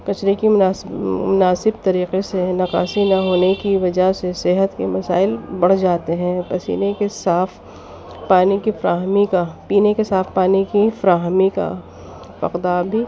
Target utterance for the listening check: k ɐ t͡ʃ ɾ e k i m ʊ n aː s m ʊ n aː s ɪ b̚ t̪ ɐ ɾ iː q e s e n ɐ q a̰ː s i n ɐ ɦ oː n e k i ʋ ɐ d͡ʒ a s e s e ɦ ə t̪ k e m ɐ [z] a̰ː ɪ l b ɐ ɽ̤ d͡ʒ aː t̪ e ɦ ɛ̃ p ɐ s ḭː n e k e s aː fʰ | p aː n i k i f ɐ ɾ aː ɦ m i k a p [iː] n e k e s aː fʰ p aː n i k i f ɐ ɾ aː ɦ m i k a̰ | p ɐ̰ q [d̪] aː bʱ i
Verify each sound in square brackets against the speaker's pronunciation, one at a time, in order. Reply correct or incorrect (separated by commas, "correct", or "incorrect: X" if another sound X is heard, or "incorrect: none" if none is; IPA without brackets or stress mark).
incorrect: s, correct, correct